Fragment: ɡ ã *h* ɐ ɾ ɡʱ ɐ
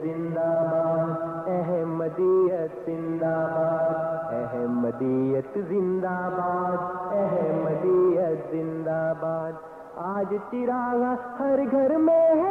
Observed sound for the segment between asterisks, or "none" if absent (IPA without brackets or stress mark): h